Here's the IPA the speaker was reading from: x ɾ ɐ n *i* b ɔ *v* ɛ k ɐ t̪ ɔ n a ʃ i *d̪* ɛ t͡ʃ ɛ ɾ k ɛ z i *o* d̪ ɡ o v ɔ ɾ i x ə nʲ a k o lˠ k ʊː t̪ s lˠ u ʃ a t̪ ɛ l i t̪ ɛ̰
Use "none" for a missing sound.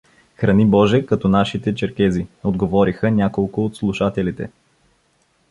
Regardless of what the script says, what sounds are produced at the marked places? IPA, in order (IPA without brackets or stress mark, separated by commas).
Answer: i, ʒ, t̪, o